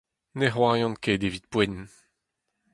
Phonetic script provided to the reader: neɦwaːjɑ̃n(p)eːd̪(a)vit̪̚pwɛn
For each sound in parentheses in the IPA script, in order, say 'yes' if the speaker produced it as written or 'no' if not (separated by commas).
no, no